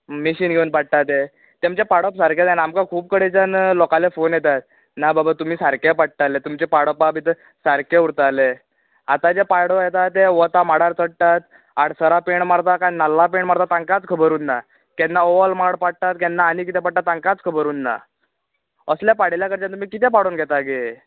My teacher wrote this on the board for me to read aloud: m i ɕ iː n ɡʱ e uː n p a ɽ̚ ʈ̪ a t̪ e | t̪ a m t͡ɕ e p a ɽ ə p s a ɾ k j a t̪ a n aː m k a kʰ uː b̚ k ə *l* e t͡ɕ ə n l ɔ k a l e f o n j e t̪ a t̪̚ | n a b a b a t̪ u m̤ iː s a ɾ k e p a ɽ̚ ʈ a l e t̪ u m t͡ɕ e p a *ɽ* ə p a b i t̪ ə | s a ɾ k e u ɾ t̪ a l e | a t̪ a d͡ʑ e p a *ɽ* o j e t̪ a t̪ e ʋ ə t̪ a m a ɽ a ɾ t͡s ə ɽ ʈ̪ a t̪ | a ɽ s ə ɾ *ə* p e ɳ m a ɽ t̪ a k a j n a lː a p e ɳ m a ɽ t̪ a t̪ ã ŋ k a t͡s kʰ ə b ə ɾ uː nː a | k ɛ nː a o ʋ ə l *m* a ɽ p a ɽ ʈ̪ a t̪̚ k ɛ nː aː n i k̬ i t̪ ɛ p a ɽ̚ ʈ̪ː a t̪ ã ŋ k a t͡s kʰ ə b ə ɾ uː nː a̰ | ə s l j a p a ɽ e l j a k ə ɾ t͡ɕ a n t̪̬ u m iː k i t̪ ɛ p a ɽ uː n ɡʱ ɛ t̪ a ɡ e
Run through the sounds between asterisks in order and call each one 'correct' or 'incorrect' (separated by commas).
incorrect, correct, correct, incorrect, correct